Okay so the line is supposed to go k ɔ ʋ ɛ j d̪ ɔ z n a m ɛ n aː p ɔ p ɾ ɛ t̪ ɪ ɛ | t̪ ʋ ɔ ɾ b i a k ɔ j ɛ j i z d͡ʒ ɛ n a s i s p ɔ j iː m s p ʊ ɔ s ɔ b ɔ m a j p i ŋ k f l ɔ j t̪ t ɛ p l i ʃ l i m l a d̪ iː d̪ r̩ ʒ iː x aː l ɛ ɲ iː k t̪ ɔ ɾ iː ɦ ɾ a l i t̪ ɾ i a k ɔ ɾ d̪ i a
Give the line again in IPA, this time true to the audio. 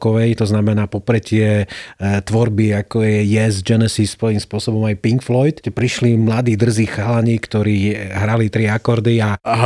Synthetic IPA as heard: k ɔ ʋ ɛ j t̪ ɔ z n a m ɛ n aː p ɔ p ɾ ɛ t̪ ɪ ɛ | t̪ ʋ ɔ ɾ b i a k ɔ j ɛ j ɛ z d͡ʒ ɛ n ɛ s i s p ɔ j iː m s p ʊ ɔ s ɔ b ɔ m a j p i ŋ k f l ɔ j t̪ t ɛ p ɾ i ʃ l i m l a d̪ iː d̪ r̩ z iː x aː l a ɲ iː k t̪ ɔ ɾ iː ɦ ɾ a l i t̪ ɾ i a k ɔ ɾ d̪ i a